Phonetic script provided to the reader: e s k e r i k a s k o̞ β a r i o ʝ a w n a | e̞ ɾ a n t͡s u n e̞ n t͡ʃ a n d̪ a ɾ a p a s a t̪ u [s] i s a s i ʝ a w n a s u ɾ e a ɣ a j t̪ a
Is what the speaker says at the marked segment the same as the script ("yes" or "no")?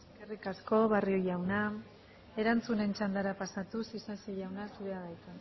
yes